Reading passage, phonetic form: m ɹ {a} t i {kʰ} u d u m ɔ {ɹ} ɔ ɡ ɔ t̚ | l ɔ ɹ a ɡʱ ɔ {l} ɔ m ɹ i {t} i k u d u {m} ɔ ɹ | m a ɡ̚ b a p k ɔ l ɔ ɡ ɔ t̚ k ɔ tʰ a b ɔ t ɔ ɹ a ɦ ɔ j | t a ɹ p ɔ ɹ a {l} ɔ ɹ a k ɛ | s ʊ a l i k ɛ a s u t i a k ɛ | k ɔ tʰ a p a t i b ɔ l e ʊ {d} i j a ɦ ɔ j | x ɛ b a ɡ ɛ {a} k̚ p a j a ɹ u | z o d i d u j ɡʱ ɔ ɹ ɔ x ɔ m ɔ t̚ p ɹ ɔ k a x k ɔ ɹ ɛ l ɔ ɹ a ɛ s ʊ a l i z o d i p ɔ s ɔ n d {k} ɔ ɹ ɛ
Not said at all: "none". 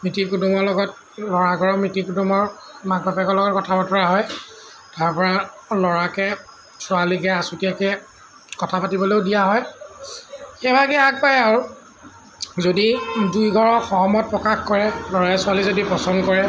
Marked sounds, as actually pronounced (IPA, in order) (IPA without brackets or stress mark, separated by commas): i, k, l, ɹ, t, m, l, d, a, k